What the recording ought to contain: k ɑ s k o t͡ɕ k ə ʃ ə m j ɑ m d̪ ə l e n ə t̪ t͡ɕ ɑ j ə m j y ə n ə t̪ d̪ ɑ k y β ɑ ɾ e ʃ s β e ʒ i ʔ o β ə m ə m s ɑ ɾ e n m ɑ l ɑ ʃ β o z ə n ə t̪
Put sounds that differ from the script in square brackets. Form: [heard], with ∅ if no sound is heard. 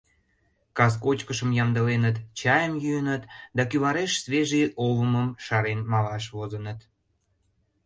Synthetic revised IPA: k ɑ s k o t͡ɕ k ə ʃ ə m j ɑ m d̪ ə l e n ə t̪ t͡ɕ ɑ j ə m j y ə n ə t̪ d̪ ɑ k y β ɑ ɾ e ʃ s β e ʒ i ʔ o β ə m ə m [ʃ] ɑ ɾ e n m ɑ l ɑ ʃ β o z ə n ə t̪